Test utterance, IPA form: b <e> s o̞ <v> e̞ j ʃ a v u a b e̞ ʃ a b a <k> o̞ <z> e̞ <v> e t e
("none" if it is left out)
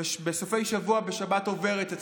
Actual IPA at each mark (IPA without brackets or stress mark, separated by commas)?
e, f, t, v, ʁ